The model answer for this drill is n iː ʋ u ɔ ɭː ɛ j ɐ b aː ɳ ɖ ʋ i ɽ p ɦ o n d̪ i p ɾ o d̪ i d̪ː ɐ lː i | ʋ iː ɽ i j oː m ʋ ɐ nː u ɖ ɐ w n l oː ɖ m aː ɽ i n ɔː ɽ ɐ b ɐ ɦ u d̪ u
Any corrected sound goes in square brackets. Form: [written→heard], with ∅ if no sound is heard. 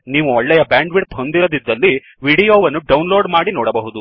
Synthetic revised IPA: n iː ʋ u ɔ ɭː ɛ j ɐ b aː ɳ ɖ ʋ i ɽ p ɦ o n d̪ i [p→∅] ɾ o d̪ i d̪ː ɐ lː i | ʋ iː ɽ i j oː [m→∅] ʋ ɐ nː u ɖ ɐ w n l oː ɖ m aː ɽ i n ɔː ɽ ɐ b ɐ ɦ u d̪ u